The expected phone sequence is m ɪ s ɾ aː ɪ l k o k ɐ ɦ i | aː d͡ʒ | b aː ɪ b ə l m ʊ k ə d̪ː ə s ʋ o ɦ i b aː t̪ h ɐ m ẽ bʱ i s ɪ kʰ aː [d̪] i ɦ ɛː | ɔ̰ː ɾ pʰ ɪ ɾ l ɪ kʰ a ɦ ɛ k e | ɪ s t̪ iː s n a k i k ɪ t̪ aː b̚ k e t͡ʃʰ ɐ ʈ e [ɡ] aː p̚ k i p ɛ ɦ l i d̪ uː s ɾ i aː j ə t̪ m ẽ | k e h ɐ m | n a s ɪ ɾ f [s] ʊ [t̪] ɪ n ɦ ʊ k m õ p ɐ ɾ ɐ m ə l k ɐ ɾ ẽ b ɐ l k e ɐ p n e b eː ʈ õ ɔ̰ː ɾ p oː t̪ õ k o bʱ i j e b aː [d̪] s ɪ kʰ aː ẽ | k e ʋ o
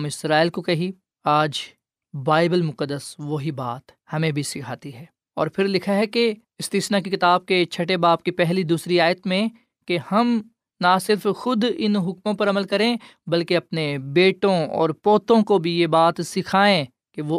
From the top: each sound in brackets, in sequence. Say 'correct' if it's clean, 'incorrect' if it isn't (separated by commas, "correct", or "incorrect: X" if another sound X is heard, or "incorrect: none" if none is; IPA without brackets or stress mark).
incorrect: t̪, incorrect: b, incorrect: x, incorrect: d̪, incorrect: t̪